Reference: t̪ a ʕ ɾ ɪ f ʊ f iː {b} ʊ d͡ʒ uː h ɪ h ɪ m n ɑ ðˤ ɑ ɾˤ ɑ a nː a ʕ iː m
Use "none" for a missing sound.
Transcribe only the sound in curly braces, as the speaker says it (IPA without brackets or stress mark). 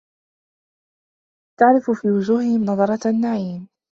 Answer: w